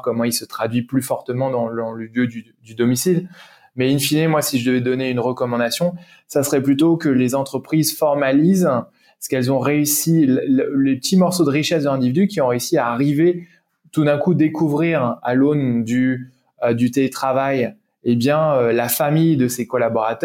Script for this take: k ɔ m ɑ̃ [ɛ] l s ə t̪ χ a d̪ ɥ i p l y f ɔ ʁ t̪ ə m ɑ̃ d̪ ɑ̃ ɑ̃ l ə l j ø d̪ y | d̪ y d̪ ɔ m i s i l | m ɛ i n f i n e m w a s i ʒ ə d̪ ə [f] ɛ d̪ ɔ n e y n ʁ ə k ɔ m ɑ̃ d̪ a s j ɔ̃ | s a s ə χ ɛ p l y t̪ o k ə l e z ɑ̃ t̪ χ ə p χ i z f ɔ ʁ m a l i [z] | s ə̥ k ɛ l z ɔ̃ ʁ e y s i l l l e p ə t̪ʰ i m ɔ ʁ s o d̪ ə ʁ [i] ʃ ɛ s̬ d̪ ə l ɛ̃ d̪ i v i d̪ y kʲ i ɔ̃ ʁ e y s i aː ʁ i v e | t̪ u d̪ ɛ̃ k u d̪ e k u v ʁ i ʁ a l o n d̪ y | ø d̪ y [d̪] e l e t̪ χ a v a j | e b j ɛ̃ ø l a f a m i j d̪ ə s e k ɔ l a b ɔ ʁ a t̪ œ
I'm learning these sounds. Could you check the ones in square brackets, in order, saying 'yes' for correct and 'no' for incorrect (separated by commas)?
no, no, yes, yes, no